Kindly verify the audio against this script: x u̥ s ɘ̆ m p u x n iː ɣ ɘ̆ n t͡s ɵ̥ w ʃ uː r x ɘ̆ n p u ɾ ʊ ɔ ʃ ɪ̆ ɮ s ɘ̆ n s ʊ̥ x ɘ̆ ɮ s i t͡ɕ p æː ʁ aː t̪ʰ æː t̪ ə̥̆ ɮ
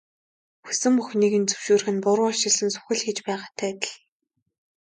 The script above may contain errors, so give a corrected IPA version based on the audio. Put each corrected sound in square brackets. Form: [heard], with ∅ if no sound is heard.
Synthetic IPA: x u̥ s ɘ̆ m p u x n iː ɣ ɘ̆ n t͡s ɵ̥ w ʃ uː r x ɘ̆ n p [ʊ] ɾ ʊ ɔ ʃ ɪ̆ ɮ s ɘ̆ n s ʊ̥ x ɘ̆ ɮ [x] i t͡ɕ p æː ʁ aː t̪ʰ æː t̪ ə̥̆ ɮ